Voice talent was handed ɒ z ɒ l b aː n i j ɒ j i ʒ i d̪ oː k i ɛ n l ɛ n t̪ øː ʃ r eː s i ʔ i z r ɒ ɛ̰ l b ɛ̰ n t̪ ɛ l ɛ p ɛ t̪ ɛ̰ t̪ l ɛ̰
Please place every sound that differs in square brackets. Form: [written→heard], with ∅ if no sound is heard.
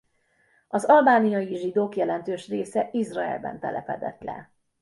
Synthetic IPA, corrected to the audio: ɒ z ɒ l b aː n i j ɒ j i ʒ i d̪ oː k [i→j] ɛ [n→∅] l ɛ n t̪ øː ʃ r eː s [i→ɛ] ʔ i z r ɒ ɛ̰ l b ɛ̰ n t̪ ɛ l ɛ p ɛ [t̪→d̪] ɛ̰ t̪ l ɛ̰